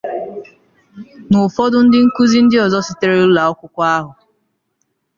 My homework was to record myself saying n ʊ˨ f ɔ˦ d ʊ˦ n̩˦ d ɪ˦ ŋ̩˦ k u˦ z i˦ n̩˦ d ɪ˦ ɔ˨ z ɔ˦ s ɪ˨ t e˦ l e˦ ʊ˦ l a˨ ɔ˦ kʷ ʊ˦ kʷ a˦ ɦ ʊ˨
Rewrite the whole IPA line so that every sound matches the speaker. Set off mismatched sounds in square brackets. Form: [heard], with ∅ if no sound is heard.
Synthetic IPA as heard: n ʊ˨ f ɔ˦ d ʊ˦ n̩˦ d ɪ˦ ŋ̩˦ k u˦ z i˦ n̩˦ d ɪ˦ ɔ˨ z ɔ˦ s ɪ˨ t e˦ [ɾ] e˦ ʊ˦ l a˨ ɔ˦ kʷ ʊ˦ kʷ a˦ ɦ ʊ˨